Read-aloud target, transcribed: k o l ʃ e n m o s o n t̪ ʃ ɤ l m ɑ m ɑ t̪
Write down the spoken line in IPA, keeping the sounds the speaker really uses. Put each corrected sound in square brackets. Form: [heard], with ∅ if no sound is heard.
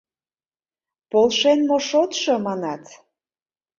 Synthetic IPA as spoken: [p] o l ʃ e n m o [ʃ] o [∅] t̪ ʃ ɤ [∅] m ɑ [n] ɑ t̪